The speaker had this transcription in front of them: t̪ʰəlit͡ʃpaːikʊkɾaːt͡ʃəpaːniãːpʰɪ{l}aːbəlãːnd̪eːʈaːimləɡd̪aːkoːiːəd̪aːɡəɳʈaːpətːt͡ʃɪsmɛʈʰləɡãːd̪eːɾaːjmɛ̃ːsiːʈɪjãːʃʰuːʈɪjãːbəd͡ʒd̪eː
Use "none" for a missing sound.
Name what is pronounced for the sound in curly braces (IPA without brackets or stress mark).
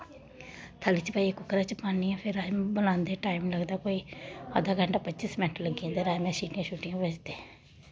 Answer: ɾ